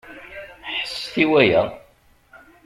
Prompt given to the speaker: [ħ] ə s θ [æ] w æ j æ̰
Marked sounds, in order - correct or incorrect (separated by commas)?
correct, incorrect